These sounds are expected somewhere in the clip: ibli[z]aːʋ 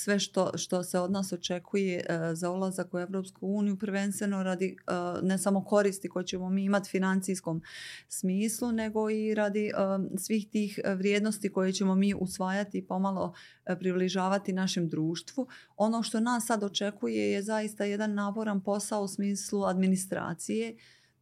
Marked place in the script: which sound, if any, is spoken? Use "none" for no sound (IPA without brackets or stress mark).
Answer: ʒ